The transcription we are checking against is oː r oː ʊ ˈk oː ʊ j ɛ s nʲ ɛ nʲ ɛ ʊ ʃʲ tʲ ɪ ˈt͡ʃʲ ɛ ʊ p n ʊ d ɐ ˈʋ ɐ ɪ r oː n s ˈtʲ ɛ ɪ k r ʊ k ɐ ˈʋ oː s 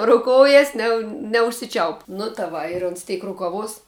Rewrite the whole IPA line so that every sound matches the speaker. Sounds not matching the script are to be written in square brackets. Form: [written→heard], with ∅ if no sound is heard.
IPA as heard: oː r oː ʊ ˈk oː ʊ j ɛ s nʲ ɛ nʲ ɛ ʊ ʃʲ [tʲ→sʲ] ɪ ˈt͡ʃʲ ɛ ʊ p n ʊ [d→t] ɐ ˈʋ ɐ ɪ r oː n s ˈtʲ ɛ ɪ k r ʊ k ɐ ˈʋ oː s